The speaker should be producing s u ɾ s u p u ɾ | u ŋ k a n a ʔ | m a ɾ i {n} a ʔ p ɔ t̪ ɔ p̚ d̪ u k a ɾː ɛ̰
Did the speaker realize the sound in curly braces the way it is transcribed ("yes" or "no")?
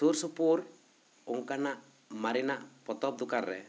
yes